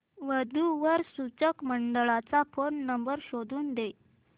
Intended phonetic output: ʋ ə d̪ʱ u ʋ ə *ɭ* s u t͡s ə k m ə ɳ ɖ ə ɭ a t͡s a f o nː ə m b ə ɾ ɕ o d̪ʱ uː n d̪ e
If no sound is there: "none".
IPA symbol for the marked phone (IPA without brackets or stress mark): ɾ